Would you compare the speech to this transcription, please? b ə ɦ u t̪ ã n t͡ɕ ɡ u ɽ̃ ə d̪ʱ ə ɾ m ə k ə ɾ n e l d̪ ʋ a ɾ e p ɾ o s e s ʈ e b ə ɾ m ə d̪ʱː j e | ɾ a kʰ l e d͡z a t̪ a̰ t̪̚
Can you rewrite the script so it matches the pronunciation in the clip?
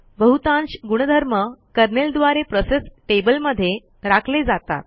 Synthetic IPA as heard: b ə ɦ u t̪ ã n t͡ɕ ɡ u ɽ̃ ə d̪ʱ ə ɾ m ə k ə ɾ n e l d̪ ʋ a ɾ e p ɾ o s e s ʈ e b ə l m ə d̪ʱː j e | ɾ a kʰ l e d͡z a t̪ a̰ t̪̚